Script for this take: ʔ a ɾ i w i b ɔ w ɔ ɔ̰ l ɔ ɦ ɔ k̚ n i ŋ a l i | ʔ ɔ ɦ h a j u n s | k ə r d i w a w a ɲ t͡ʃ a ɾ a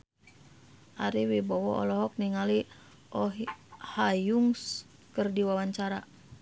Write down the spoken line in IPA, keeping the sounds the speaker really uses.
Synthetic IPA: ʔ a ɾ i w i b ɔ w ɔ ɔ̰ l ɔ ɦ ɔ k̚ n i ŋ a l i | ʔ ɔ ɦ h a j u ŋ s | k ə r d i w a w a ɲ t͡ʃ a ɾ a